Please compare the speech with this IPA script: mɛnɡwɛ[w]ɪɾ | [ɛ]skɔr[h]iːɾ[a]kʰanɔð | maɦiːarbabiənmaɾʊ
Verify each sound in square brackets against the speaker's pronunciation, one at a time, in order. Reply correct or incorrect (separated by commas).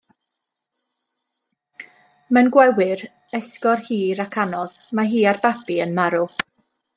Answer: correct, correct, correct, correct